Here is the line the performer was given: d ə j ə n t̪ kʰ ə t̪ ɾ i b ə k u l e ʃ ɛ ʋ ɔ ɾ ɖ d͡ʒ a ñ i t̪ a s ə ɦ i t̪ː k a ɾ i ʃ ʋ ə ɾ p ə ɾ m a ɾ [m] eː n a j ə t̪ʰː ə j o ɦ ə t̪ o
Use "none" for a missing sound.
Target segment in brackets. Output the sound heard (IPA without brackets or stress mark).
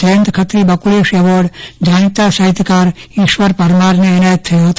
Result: n